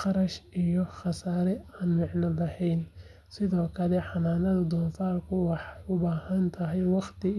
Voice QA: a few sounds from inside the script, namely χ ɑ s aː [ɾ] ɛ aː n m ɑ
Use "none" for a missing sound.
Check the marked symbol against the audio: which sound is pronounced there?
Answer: ɾ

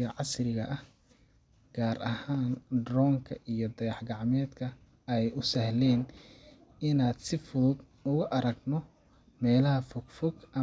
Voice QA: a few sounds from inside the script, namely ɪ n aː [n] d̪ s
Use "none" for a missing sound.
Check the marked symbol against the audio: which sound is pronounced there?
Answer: none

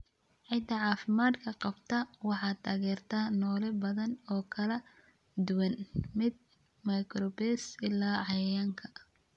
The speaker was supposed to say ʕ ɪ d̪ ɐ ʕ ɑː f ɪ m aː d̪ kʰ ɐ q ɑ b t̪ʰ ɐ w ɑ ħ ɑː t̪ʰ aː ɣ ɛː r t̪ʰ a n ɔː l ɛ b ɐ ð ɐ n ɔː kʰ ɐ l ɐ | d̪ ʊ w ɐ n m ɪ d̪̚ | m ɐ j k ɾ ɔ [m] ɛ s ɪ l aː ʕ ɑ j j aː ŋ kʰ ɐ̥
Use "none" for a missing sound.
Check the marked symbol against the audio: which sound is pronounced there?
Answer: b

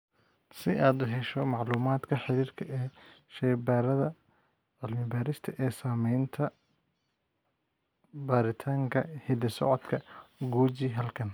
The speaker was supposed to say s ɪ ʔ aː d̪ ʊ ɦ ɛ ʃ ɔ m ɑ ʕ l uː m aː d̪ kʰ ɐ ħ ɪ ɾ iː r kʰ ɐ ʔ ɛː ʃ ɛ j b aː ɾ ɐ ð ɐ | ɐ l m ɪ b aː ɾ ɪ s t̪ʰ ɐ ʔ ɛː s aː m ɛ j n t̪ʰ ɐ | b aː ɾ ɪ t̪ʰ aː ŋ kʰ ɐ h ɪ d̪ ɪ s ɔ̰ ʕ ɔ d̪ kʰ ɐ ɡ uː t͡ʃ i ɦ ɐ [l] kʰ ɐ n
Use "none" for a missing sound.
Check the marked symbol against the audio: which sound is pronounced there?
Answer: l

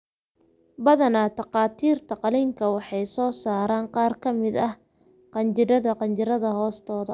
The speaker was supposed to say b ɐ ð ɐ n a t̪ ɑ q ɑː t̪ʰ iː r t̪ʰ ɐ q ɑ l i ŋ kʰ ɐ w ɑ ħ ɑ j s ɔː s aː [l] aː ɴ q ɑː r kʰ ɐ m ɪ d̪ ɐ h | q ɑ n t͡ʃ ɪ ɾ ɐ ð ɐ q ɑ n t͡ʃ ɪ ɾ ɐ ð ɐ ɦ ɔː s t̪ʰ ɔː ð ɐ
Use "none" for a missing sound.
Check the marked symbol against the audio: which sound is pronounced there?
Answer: ɾ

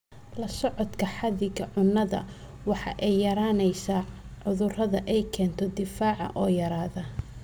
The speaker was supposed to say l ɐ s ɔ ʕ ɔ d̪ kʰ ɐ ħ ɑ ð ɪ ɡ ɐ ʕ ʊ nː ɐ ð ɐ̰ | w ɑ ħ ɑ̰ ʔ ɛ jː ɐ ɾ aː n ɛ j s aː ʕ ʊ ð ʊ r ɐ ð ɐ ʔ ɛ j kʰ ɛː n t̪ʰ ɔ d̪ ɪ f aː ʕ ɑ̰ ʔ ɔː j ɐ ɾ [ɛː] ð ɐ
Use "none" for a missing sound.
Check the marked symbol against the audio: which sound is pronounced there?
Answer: aː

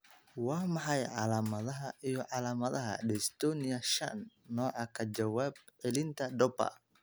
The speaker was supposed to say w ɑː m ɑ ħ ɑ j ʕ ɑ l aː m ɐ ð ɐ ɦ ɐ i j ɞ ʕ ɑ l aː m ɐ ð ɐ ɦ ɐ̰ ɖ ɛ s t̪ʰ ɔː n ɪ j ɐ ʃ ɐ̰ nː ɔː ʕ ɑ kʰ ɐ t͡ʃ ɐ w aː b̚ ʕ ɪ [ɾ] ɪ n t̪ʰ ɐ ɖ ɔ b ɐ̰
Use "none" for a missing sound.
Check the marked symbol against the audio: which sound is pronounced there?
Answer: l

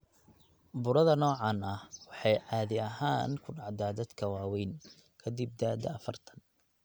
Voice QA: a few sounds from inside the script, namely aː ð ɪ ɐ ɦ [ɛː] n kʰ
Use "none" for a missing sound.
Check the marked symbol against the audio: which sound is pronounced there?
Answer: aː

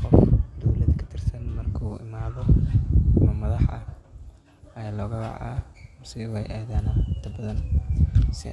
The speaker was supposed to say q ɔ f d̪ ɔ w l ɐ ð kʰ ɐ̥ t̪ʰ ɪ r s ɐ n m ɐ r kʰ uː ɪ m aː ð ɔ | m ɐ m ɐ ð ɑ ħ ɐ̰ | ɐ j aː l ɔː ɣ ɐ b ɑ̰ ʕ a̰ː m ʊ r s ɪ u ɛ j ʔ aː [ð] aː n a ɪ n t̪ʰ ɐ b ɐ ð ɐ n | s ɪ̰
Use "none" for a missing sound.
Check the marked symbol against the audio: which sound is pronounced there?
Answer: ð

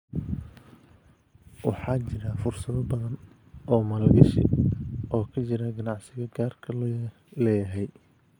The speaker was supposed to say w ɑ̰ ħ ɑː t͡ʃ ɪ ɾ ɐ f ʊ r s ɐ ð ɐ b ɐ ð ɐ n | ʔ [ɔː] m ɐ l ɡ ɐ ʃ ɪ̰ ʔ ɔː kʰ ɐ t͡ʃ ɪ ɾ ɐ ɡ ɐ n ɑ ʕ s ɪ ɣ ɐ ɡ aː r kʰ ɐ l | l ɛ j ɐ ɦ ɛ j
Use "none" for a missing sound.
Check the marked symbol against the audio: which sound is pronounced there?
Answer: ɔː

